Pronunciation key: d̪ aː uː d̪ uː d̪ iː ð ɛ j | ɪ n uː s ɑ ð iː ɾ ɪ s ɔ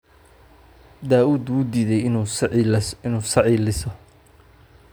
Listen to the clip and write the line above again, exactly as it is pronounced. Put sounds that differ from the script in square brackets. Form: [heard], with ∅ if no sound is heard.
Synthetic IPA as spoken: d̪ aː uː d̪ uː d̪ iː ð ɛ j | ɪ n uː s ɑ [ʕ] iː [l] ɪ s ɔ